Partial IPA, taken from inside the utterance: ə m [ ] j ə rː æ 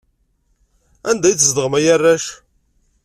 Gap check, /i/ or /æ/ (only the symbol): æ